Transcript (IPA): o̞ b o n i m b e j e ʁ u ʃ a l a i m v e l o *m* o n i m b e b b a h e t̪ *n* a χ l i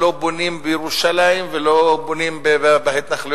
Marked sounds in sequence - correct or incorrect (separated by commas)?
incorrect, correct